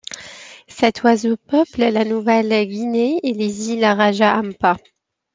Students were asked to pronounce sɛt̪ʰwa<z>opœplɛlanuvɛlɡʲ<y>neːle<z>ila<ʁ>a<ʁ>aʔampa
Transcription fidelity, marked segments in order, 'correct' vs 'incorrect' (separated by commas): correct, incorrect, correct, correct, incorrect